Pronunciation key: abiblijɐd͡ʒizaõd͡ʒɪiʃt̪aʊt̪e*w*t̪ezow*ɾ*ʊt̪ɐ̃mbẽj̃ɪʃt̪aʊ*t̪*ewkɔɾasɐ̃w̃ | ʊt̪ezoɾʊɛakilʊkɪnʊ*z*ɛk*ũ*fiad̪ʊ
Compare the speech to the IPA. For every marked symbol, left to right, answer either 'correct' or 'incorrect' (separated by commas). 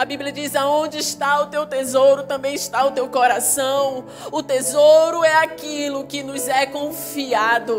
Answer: correct, correct, correct, correct, incorrect